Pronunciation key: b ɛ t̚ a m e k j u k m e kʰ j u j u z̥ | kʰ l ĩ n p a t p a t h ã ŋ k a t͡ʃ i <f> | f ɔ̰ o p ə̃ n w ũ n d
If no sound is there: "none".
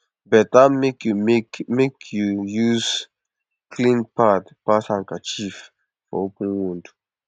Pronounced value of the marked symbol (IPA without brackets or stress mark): f